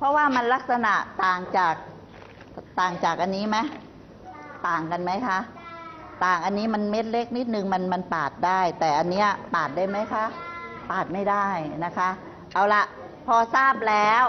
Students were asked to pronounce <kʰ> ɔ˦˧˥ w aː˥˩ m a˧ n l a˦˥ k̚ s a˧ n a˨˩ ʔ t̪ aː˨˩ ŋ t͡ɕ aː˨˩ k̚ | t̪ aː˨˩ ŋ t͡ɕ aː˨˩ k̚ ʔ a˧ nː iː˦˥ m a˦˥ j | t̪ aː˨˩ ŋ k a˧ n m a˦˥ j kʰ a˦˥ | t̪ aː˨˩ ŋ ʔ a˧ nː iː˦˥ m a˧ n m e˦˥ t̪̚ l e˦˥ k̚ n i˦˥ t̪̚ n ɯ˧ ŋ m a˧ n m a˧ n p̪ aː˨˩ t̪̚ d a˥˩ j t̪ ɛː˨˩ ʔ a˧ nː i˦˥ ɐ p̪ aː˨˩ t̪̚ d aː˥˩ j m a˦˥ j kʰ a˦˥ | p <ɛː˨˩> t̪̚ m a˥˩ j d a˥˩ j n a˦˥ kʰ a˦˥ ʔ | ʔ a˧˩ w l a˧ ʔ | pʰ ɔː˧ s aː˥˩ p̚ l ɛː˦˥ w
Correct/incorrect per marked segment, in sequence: incorrect: pʰ, incorrect: aː˨˩

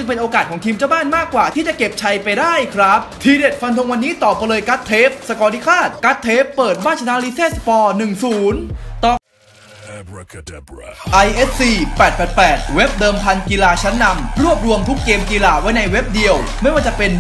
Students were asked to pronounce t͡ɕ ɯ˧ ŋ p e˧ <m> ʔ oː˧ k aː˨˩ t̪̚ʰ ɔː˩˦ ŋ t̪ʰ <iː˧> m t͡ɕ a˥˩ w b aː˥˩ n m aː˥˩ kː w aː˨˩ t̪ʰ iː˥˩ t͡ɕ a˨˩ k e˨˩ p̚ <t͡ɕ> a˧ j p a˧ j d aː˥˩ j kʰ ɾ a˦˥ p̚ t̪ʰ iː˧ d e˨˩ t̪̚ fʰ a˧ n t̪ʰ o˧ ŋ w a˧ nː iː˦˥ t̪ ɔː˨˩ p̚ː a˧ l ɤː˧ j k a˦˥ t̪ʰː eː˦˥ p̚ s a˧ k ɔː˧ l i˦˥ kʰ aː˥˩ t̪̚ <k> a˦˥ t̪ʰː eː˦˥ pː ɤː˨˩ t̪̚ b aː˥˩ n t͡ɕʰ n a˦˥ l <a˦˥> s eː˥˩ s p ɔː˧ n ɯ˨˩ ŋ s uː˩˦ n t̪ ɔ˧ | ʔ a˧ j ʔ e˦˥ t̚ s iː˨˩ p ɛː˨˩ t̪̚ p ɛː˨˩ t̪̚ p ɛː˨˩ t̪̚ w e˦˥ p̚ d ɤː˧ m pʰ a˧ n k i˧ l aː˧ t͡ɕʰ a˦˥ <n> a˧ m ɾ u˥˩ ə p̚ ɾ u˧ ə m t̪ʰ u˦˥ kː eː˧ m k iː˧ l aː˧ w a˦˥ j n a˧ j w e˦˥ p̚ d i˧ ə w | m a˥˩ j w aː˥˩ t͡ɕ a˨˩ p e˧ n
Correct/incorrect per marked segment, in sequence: incorrect: n, correct, incorrect: t͡ɕʰ, correct, incorrect: i˦˥, incorrect: nː

